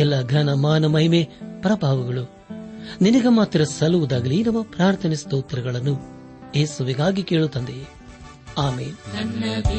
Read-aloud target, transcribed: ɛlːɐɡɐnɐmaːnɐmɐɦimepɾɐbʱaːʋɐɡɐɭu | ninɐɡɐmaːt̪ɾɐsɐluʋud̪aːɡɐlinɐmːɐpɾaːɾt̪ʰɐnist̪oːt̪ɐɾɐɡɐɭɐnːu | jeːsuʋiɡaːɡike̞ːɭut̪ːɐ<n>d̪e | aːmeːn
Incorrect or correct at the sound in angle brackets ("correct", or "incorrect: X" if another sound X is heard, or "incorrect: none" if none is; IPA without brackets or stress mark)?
correct